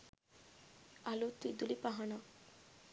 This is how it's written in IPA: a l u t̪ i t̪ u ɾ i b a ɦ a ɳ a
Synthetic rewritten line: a l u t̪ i d̪ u l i p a ɦ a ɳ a